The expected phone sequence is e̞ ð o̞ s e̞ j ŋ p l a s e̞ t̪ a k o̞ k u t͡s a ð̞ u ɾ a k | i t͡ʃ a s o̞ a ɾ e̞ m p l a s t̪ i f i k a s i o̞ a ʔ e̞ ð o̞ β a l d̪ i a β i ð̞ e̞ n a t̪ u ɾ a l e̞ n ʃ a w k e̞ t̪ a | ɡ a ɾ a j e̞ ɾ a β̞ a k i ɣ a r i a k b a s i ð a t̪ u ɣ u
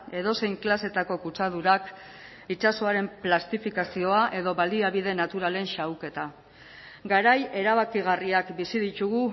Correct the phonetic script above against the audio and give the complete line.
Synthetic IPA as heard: e̞ ð o̞ s e̞ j ŋ k l a s e̞ t̪ a k o̞ k u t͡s a ð̞ u ɾ a k | i t͡ʃ a s o̞ a ɾ e̞ m p l a s t̪ i f i k a s i o̞ a ʔ e̞ ð o̞ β a l d̪ i a β i ð̞ e̞ n a t̪ u ɾ a l e̞ n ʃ a w k e̞ t̪ a | ɡ a ɾ a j e̞ ɾ a β̞ a k i ɣ a r i a k b i s i ð i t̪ u ɣ u